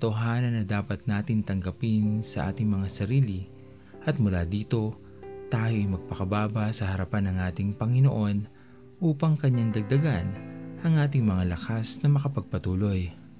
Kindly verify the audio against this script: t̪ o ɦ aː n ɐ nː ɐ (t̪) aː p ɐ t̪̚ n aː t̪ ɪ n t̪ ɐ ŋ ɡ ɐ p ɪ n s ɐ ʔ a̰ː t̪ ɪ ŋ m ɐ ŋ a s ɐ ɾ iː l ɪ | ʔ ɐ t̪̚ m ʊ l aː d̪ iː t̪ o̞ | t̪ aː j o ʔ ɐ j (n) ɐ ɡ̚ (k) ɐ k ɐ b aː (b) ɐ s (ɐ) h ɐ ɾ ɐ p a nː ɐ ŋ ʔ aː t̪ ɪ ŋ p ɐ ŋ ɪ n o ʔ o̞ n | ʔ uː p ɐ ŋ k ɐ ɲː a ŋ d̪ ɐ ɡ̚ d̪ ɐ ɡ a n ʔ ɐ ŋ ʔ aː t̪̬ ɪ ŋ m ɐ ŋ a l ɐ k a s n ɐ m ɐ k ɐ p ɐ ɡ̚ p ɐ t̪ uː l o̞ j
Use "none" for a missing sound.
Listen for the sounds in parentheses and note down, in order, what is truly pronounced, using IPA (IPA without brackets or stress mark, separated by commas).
d̪, m, p, b, ɐ